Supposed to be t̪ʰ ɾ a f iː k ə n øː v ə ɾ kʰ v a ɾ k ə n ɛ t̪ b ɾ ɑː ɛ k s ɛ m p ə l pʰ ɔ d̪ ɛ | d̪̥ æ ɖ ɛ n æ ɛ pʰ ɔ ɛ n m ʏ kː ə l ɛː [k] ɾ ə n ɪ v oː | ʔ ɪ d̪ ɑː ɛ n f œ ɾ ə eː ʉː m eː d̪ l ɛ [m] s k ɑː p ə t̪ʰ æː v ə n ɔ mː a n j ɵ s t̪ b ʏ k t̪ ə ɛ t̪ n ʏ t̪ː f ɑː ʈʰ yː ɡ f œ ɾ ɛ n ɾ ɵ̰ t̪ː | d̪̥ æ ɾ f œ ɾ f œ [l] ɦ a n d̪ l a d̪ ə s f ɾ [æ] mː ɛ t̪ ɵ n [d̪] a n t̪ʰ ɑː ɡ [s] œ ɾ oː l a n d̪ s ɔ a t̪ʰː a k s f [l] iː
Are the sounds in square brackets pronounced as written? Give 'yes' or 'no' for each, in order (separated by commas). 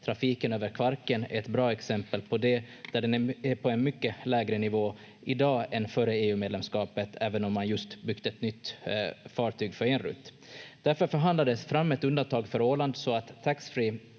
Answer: no, yes, no, no, yes, no, no